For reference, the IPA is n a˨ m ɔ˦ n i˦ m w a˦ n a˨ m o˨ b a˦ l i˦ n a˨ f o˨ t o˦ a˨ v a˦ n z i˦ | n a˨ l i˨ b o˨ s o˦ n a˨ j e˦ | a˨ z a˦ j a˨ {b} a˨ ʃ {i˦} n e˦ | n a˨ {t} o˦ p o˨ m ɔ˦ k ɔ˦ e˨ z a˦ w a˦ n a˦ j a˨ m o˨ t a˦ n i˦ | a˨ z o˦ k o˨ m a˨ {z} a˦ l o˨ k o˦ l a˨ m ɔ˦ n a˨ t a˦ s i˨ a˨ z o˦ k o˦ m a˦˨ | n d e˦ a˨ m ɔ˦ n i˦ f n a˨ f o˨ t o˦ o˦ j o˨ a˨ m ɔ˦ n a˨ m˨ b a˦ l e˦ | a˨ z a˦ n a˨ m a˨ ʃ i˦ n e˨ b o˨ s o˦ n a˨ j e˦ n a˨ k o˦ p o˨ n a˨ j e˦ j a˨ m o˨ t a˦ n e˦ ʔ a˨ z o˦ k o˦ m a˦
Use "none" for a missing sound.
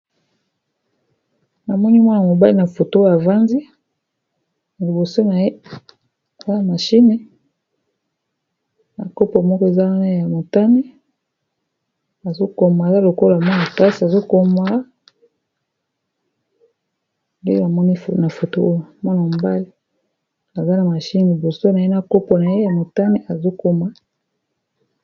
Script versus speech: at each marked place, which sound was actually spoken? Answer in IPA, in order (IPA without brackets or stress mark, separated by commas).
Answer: m, i˦, k, z